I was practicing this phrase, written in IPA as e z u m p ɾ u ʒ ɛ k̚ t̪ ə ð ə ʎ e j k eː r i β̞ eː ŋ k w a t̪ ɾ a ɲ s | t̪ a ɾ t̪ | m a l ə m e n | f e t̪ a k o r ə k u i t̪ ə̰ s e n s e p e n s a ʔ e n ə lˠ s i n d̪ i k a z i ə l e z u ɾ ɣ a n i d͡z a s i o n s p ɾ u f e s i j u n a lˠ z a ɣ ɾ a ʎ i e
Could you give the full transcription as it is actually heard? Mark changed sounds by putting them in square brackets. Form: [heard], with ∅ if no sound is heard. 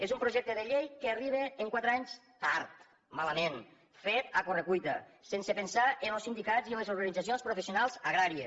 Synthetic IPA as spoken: e z u m p ɾ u ʒ ɛ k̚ t̪ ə ð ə ʎ e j k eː r i β̞ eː ŋ k w a t̪ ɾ a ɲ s | t̪ a ɾ t̪ | m a l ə m e n | f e t̪ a k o r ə k u [j] t̪ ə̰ s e n s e p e n s a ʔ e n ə lˠ s i n d̪ i k a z i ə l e z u ɾ ɣ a n i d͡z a s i o n s p ɾ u f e s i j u n a lˠ z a ɣ ɾ a [ɾ] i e